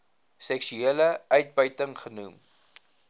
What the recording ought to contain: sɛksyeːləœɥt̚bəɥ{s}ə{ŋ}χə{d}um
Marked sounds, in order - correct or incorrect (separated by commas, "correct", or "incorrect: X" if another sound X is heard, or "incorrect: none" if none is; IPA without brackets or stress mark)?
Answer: incorrect: t, correct, incorrect: n